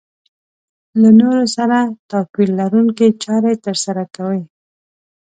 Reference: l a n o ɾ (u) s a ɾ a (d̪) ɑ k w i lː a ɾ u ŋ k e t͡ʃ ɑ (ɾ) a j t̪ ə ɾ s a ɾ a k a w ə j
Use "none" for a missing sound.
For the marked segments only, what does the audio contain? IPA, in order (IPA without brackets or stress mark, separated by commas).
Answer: o, t̪, ɾ